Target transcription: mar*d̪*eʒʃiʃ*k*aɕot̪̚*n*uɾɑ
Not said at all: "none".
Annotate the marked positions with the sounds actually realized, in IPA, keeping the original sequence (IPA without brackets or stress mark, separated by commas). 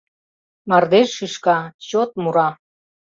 d̪, k, m